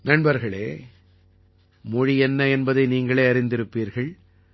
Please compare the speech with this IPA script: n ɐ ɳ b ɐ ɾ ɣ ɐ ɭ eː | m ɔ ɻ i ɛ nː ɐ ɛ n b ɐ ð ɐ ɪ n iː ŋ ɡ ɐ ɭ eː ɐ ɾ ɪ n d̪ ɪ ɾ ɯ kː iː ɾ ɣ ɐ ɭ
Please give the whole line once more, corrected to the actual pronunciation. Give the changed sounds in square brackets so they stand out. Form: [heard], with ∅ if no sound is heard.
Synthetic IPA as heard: n ɐ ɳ b ɐ ɾ ɣ ɐ ɭ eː | m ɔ ɻ i ɛ nː ɐ ɛ n b ɐ ð ɐ ɪ n iː ŋ ɡ ɐ ɭ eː ɐ ɾ ɪ n d̪ ɪ ɾ ɯ [pː] iː ɾ ɣ ɐ ɭ